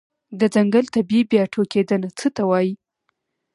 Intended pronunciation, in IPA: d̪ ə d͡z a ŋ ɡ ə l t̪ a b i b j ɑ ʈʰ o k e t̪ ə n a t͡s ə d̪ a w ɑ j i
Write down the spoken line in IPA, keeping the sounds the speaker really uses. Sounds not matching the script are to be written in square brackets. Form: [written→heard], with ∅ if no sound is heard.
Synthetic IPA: d̪ ə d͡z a ŋ ɡ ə l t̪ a b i b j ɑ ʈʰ o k e [t̪→d̪] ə n a t͡s ə [d̪→t̪] a w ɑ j i